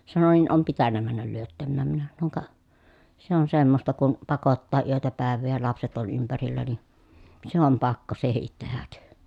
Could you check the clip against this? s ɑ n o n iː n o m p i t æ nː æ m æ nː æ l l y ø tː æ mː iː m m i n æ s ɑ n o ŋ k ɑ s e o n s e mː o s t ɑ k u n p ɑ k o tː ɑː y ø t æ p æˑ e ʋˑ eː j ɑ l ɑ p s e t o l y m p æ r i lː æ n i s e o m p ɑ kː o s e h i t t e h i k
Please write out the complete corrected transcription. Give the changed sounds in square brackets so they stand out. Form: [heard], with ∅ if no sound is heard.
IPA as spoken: s ɑ n o n iː n o m p i t æ nː æ m æ nː æ l l y ø tː æ mː [æː] m m i n æ s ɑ n o ŋ k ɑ s e o n s e mː o s t ɑ k u n p ɑ k o tː ɑː y ø t æ p æˑ e ʋˑ eː j ɑ l ɑ p s e t o l y m p æ r i lː æ n i s e o m p ɑ kː o s e h i t t e h [æ] k

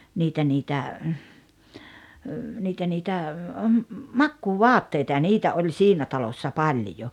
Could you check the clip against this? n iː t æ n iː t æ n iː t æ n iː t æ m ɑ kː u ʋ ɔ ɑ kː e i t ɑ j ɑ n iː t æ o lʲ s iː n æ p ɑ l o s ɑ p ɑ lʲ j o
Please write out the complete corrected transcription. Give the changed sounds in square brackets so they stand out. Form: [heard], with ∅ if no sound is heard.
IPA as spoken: n iː t æ n iː t æ n iː t æ n iː t æ m ɑ kː [uː] ʋ ɔ ɑ [tː] e i t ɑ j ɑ n iː t æ o lʲ s iː n æ [t] ɑ l o [sː] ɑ p ɑ lʲ j o

